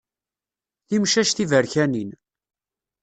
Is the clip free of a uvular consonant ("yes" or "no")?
yes